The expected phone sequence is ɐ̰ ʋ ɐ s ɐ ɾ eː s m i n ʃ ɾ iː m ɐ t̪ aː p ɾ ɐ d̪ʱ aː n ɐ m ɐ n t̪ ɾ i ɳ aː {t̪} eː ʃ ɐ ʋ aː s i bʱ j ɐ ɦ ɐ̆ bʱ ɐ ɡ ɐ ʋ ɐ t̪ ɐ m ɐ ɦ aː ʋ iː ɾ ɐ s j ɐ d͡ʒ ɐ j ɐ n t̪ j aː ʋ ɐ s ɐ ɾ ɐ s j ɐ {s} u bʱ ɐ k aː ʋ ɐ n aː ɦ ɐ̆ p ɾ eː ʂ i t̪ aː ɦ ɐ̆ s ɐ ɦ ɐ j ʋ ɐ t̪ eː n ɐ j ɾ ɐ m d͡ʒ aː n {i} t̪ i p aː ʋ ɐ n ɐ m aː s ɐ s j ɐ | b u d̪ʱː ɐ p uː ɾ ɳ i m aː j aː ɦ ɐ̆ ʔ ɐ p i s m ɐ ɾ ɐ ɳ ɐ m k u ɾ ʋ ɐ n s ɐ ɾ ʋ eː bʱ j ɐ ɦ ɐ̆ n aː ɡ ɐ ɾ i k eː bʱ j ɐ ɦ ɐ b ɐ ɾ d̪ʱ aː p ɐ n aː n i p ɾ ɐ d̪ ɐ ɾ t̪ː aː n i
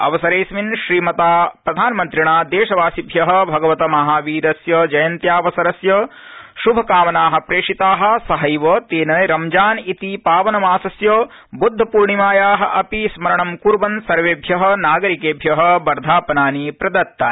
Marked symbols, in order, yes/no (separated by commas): no, no, yes